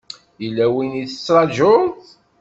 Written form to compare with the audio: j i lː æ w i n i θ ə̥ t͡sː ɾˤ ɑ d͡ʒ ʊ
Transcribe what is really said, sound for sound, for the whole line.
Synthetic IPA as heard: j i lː æ w i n i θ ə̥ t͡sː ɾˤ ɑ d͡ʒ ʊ